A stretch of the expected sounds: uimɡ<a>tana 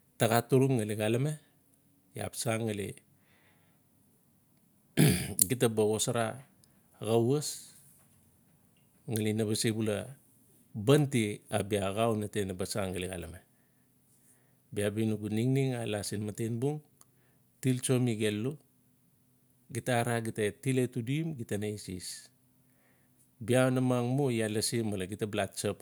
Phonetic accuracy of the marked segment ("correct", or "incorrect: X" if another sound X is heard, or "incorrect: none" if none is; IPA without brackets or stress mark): incorrect: i